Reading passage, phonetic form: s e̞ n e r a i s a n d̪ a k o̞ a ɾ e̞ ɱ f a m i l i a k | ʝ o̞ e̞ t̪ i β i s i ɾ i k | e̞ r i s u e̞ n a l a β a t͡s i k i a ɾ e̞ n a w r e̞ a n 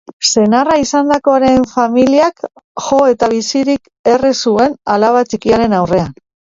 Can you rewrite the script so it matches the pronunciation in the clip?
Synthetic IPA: s e̞ n a r a i s a n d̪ a k o̞ a ɾ e̞ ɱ f a m i l i a k | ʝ o̞ e̞ t̪ a β i s i ɾ i k | e̞ r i s u e̞ n a l a β a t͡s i k i a ɾ e̞ n a w r e̞ a n